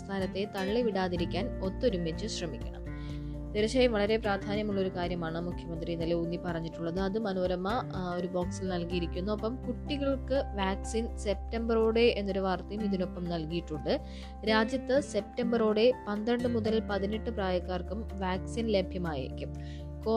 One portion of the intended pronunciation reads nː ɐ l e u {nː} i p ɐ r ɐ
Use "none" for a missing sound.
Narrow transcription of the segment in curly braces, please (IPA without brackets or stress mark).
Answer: nː